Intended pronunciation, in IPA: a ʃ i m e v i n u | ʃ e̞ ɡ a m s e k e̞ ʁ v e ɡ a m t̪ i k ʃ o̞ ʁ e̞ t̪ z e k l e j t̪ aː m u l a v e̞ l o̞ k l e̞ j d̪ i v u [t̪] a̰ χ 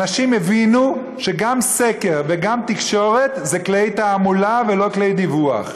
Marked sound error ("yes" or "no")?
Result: yes